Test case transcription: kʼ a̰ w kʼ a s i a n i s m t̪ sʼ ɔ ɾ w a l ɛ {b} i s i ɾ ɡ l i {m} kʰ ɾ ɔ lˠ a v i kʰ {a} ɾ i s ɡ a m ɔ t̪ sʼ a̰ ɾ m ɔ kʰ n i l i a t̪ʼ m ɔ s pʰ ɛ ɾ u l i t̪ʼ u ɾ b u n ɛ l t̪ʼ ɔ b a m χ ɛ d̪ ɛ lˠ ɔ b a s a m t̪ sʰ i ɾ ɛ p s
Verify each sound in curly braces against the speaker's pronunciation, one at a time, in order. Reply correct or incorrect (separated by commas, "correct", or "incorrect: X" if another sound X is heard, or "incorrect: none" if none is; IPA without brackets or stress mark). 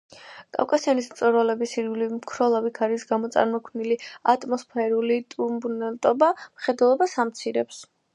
correct, correct, correct